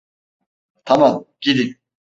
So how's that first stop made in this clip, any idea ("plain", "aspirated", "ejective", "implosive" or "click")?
aspirated